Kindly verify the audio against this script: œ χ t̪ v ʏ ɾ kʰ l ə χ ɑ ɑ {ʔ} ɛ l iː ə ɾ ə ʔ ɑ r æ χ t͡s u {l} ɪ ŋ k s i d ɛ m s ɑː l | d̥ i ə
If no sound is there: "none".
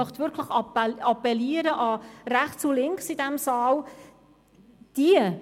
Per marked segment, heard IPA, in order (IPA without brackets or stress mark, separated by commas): p, l